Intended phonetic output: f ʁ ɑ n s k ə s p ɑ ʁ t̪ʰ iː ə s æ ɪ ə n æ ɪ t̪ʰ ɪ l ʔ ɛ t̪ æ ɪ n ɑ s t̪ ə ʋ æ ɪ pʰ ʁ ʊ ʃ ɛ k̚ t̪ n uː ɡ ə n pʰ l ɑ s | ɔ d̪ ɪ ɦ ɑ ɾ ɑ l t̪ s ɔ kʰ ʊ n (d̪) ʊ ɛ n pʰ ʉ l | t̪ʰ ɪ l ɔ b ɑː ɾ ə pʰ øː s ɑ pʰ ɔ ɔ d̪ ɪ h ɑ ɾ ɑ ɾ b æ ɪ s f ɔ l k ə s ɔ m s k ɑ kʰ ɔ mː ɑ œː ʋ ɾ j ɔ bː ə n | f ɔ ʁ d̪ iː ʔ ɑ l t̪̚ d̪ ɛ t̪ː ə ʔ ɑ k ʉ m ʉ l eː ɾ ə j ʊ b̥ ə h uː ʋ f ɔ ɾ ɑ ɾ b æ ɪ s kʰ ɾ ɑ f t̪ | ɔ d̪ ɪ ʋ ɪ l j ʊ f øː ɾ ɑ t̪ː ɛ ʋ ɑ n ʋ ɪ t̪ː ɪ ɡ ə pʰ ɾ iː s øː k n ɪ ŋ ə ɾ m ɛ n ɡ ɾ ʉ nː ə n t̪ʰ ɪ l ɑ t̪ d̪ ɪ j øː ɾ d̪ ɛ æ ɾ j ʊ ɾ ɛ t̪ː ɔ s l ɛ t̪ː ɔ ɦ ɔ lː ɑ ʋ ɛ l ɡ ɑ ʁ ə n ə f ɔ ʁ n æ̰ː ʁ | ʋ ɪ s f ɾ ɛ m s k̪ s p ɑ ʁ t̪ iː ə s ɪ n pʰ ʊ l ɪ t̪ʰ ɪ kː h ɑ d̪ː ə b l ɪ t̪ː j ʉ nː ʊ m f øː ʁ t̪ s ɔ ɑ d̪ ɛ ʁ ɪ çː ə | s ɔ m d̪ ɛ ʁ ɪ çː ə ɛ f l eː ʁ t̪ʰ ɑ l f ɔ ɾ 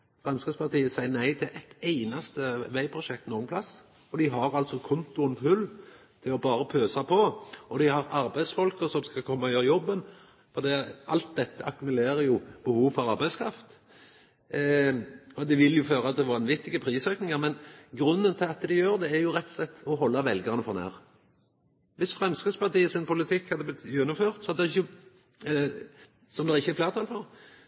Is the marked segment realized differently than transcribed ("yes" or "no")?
yes